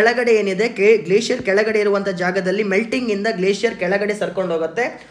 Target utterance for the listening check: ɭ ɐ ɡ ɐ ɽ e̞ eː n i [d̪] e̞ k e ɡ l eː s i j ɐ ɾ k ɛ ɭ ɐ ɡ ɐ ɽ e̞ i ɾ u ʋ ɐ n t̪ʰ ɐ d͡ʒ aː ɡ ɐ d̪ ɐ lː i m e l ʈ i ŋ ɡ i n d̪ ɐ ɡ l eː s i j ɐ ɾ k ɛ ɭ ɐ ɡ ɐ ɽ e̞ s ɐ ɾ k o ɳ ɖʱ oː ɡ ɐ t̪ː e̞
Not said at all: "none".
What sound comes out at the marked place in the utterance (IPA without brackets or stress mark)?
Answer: d̪